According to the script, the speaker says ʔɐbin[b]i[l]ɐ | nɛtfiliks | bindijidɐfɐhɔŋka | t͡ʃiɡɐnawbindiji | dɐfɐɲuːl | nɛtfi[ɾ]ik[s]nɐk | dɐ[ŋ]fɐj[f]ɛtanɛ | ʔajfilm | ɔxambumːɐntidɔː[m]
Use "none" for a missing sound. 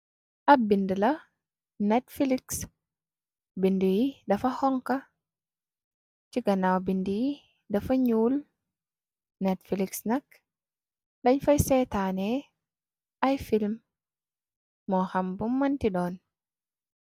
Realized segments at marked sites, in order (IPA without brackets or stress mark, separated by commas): d, l, l, s, ɲ, s, n